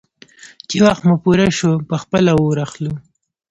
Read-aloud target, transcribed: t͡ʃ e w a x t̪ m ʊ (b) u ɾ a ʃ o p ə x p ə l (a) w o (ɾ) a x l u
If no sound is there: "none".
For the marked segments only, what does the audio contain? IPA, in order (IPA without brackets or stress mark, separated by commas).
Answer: p, a, ɾ